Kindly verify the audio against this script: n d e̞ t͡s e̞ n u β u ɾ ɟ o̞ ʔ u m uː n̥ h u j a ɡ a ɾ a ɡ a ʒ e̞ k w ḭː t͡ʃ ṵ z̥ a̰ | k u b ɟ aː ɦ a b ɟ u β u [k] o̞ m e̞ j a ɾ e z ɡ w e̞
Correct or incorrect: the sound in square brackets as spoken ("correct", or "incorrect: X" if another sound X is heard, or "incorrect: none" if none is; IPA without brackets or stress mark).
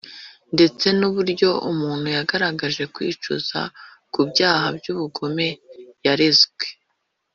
incorrect: ɡ